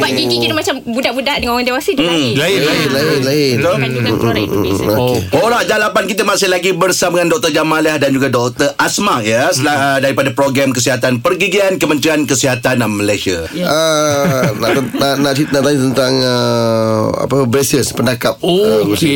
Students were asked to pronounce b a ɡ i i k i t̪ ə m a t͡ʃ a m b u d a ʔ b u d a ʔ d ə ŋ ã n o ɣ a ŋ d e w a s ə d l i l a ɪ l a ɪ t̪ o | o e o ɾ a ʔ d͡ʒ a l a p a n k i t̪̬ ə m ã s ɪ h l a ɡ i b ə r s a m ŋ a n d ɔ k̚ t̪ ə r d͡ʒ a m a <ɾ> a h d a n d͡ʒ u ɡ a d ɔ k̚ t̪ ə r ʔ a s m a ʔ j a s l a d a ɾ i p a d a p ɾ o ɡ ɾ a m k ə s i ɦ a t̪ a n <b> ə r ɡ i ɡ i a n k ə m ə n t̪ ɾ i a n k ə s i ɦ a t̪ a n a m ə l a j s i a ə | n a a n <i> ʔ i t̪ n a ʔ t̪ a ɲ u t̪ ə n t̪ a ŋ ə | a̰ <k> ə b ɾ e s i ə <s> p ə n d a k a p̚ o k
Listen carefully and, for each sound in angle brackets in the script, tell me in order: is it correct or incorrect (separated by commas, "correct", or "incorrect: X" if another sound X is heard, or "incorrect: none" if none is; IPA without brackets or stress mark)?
incorrect: l, incorrect: p, incorrect: a, incorrect: p, correct